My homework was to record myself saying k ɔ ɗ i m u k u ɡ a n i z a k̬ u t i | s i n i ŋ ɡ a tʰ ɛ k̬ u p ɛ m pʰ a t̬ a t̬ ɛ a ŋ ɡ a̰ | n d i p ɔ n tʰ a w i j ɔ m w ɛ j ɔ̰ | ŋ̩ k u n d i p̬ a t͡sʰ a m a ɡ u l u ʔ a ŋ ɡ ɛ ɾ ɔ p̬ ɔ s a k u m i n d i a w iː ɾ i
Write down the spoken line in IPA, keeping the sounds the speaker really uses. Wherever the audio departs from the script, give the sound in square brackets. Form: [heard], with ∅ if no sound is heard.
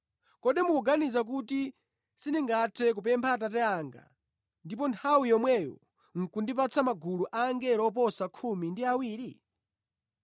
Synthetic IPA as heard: k ɔ ɗ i m u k u ɡ a n i z a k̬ u t i | s i n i ŋ ɡ a tʰ ɛ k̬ u p ɛ m pʰ a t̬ a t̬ ɛ a ŋ ɡ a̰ | n d i p ɔ n tʰ a w i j ɔ m w ɛ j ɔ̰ | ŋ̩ k u n d i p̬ a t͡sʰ a m a ɡ u l u ʔ a ŋ ɡ ɛ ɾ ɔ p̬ ɔ s a [kʰ] u m i n d i a w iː ɾ i